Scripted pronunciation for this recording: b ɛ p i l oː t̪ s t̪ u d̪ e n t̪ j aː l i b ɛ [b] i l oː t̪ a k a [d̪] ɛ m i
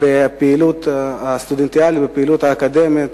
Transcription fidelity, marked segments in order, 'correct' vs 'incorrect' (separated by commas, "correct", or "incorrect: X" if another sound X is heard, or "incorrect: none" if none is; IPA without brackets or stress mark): incorrect: p, correct